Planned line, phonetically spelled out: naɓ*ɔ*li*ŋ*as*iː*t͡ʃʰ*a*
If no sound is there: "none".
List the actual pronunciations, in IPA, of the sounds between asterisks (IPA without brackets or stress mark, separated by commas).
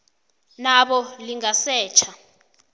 ɔ, ŋ, ɛː, a